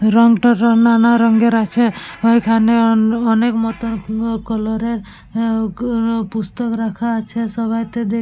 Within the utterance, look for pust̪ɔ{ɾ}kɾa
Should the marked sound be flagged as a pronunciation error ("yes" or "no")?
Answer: yes